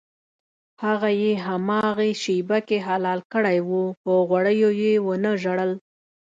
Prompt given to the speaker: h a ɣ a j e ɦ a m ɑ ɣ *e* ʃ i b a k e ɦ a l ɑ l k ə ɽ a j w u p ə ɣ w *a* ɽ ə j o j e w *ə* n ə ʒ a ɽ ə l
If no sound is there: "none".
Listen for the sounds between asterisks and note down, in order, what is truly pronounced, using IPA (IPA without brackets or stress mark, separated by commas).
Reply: e, a, ə